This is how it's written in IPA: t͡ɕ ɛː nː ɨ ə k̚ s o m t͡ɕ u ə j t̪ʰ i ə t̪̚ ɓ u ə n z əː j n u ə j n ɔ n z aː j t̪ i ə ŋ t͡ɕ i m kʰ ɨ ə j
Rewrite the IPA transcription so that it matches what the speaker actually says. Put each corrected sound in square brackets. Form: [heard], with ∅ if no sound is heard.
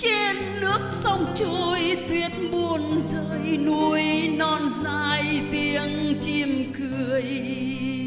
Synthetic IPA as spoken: t͡ɕ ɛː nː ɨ ə k̚ s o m t͡ɕ u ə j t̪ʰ i ə t̪̚ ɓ u ə n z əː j n u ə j n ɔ n z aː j t̪ i ə ŋ t͡ɕ i m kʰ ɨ ə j